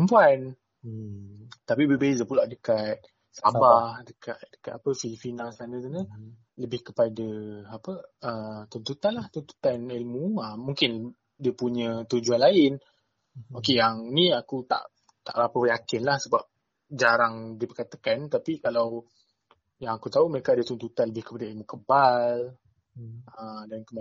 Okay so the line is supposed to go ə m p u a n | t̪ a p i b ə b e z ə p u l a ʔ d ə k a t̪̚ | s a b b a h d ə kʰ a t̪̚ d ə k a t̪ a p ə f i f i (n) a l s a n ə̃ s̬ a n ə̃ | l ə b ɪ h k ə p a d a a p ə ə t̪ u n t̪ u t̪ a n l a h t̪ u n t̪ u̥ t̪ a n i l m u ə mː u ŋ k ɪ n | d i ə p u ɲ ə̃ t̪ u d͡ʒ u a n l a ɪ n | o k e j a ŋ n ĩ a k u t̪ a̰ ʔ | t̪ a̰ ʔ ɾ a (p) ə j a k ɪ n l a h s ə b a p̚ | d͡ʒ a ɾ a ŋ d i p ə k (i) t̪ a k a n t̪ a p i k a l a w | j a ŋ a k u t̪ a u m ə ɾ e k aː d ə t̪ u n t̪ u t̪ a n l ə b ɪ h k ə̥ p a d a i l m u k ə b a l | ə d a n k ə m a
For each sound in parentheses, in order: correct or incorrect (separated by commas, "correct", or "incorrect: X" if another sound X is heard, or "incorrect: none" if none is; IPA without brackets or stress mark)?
correct, correct, incorrect: a